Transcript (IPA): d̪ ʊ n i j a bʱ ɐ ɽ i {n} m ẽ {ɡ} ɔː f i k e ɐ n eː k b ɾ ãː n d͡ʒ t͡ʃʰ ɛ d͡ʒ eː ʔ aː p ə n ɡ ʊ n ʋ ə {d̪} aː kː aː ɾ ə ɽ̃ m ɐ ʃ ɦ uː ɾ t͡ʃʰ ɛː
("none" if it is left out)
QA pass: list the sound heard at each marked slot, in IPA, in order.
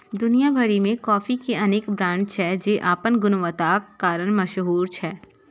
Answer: none, k, t̪

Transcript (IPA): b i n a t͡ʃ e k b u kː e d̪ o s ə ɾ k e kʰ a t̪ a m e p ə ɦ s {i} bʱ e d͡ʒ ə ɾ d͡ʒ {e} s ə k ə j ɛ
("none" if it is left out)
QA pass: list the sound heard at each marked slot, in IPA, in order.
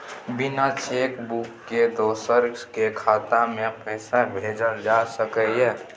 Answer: a, a

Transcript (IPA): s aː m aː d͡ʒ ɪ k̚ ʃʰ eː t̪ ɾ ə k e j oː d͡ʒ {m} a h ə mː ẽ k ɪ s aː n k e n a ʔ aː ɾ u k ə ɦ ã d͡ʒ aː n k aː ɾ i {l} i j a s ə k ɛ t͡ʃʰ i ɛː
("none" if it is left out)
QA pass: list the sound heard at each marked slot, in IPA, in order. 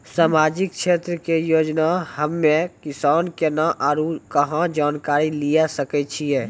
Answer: n, l

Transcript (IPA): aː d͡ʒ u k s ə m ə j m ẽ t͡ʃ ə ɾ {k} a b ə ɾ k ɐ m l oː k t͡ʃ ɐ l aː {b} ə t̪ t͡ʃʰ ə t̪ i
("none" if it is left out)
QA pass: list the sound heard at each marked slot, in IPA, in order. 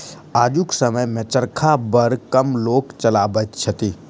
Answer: kʰ, b

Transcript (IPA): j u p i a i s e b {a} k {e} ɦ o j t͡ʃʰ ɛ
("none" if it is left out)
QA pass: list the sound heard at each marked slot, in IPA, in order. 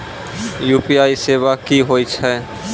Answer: a, i

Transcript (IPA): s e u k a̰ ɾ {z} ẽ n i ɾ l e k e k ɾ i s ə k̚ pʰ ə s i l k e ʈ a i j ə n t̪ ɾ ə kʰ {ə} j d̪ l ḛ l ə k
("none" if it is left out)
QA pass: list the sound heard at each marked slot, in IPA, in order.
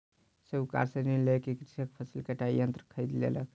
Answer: s, ə

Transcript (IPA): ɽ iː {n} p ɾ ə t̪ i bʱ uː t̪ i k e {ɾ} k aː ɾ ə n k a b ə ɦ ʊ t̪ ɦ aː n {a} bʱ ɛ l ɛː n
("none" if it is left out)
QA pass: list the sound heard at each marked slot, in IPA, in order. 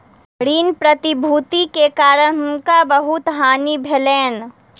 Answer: n, none, i

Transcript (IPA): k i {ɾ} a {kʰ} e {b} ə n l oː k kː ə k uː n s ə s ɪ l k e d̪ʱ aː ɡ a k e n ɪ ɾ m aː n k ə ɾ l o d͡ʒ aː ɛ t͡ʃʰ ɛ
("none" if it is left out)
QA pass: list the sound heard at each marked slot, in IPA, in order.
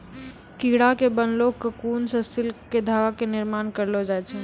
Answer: ɽ, k, b

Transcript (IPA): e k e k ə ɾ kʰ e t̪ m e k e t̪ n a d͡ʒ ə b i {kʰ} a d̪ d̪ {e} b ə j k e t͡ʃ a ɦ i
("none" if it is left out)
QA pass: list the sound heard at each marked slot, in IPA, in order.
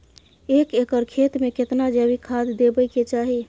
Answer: kʰ, e

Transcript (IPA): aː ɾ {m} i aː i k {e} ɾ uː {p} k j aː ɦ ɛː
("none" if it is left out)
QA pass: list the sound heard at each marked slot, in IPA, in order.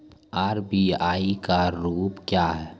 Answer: b, a, p

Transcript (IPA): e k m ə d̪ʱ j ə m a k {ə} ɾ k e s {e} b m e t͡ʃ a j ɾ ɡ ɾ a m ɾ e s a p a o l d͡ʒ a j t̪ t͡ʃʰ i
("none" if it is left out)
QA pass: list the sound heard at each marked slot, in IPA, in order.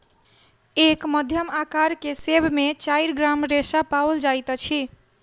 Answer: a, e

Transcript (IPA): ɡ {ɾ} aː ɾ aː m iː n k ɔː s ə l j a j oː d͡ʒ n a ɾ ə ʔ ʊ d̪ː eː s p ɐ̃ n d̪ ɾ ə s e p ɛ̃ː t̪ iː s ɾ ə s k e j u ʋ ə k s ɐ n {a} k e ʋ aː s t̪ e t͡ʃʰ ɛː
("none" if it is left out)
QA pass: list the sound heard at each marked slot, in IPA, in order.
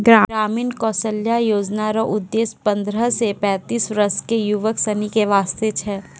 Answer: ɾ, i

